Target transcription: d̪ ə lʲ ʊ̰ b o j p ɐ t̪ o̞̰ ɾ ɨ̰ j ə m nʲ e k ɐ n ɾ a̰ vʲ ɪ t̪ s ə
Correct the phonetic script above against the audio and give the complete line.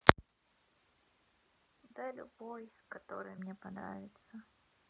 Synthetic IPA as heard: d̪ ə lʲ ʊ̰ b o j k ɐ t̪ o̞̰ ɾ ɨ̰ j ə m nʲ e p ɐ n ɾ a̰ vʲ ɪ t̪ s ə